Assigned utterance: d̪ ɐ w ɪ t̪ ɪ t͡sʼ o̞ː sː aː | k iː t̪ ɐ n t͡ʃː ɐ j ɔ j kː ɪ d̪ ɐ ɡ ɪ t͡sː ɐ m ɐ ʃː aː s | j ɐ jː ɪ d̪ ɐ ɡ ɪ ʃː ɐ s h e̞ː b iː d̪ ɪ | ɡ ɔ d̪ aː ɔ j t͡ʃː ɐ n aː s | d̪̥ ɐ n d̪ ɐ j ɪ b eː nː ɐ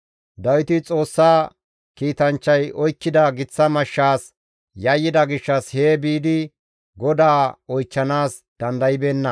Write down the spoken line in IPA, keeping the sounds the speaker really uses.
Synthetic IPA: d̪ ɐ w ɪ t̪ ɪ t͡sʼ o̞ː sː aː | k iː t̪ ɐ n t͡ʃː ɐ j ɔ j kː ɪ d̪ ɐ ɡ ɪ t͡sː ɐ m ɐ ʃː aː s | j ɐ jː ɪ d̪ ɐ ɡ ɪ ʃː ɐ s h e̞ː b iː d̪ ɪ | ɡ ɔ d̪ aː ɔ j t͡ʃː ɐ n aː s | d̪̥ ɐ n d̪ ɐ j ɪ b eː nː ɐ